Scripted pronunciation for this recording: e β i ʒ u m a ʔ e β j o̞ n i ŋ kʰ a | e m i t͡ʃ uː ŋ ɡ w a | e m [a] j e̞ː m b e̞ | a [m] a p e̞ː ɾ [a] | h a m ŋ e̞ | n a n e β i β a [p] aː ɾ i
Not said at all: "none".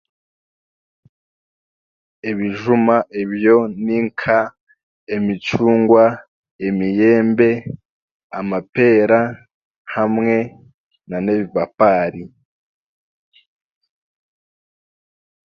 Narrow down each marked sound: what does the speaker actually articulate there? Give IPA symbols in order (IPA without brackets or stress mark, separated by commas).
i, m, a, p